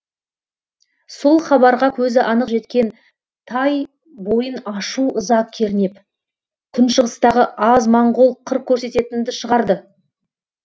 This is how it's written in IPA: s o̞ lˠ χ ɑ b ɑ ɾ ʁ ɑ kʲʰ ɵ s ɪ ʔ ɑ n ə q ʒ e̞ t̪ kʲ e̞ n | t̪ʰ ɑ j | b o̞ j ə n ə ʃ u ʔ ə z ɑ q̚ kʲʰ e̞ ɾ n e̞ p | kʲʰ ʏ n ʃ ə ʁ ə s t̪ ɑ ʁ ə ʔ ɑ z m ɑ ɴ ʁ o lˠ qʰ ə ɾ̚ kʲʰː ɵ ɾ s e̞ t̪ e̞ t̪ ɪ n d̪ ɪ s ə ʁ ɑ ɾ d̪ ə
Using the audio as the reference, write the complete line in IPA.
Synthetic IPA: s o̞ lˠ χ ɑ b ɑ ɾ ʁ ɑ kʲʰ ɵ z ɪ ʔ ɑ n ə q ʒ e̞ t̪ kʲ e̞ n | t̪ʰ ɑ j | b o̞ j ə n ɑ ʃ u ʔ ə z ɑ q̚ kʲʰ e̞ ɾ n e̞ p | kʲʰ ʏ n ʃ ə ʁ ə s t̪ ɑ ʁ ə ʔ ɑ z m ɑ ɴ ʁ o lˠ qʰ ə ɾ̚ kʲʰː ɵ ɾ s e̞ t̪ e̞ t̪ ɪ n d̪ ɪ ʃ ə ʁ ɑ ɾ d̪ ə